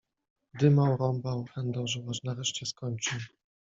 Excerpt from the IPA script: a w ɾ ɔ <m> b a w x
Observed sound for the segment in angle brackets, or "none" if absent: m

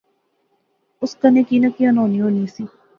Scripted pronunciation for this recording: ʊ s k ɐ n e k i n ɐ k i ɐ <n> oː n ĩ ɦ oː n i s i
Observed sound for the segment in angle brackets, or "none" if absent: n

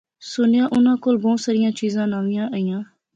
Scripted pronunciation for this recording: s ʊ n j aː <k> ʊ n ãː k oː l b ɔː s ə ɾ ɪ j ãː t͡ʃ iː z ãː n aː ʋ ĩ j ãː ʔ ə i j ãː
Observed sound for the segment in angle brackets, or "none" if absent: ʔ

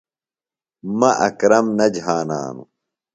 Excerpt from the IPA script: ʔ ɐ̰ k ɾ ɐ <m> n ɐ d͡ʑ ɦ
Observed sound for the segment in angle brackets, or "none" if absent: m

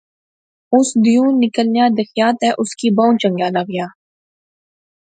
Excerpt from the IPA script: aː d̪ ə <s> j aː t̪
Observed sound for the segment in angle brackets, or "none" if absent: x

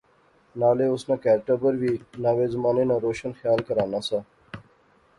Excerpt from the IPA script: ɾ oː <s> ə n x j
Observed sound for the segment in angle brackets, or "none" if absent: ʃ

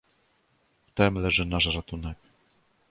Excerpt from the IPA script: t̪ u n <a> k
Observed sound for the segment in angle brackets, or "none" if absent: ɛ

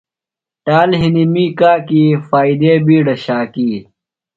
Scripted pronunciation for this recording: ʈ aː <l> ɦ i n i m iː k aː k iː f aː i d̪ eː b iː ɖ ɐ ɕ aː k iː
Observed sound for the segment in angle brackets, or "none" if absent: l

